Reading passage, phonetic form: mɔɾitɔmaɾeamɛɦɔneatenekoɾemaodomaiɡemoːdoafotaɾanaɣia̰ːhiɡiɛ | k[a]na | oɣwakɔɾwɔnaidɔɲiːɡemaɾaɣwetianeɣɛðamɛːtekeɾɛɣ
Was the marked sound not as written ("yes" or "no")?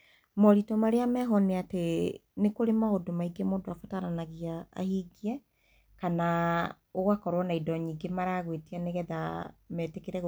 no